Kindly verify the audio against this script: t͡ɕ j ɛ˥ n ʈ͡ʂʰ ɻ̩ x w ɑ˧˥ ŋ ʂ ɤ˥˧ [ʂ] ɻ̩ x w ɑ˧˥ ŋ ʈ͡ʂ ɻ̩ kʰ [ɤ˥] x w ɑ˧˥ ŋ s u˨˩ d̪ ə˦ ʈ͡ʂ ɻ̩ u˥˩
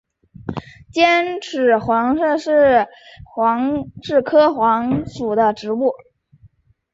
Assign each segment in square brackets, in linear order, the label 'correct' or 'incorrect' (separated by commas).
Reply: correct, correct